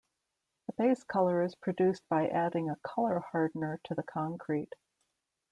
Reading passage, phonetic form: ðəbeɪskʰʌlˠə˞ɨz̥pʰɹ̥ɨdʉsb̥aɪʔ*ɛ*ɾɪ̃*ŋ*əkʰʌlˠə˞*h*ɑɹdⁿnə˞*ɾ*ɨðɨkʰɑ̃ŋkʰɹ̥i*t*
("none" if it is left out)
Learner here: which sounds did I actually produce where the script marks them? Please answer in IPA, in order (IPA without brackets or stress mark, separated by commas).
æ, ŋ, h, ɾ, t